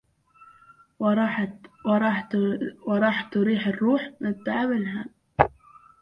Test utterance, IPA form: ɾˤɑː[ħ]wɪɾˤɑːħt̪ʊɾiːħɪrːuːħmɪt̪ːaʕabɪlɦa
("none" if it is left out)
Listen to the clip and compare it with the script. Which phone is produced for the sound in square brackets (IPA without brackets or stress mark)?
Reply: ħ